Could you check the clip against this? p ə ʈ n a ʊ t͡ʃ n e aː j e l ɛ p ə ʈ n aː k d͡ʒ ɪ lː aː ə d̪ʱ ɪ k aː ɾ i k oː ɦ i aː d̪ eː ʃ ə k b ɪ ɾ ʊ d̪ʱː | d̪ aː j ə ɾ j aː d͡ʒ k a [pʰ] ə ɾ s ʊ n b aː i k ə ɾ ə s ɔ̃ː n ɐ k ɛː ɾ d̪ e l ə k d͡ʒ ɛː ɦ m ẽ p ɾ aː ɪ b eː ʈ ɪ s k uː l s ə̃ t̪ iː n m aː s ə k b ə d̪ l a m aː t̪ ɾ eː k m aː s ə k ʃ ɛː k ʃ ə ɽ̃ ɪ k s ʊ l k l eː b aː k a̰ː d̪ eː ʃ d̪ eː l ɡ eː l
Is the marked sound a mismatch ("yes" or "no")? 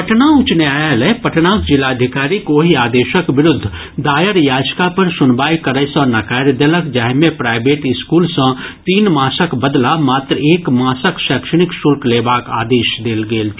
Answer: yes